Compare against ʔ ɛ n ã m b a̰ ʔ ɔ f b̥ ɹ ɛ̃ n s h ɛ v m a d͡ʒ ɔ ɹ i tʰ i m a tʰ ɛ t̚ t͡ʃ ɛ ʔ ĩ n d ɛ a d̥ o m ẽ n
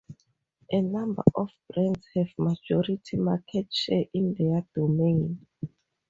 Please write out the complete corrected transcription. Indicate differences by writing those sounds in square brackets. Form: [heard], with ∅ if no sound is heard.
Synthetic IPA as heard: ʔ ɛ n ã m b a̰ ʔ ɔ f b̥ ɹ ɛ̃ n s h ɛ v m a d͡ʒ ɔ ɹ i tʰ i m a [kʰ] ɛ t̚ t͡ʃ ɛ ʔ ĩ n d ɛ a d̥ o m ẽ n